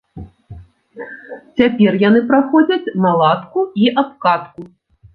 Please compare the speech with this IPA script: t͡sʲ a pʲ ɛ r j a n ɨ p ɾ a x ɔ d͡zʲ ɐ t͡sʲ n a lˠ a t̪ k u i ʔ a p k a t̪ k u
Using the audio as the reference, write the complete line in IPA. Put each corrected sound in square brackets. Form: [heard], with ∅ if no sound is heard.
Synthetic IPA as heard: t͡sʲ a pʲ ɛ r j a n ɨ p ɾ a x ɔ d͡zʲ ɐ t͡sʲ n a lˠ a t̪ k u i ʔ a p k a t̪ k u